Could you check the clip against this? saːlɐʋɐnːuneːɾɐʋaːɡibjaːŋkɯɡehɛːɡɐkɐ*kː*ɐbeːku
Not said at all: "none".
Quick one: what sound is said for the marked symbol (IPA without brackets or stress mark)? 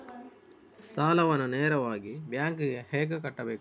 ʈː